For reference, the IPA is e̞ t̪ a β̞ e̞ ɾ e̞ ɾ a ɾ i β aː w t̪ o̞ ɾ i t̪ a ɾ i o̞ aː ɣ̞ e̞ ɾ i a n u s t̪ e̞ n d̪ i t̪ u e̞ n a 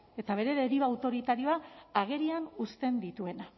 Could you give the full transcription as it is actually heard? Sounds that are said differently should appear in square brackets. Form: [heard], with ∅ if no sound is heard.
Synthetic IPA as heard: e̞ t̪ a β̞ e̞ ɾ e̞ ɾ [e] ɾ i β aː w t̪ o̞ ɾ i t̪ a ɾ i o̞ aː ɣ̞ e̞ ɾ i a n u s t̪ e̞ n d̪ i t̪ u e̞ n a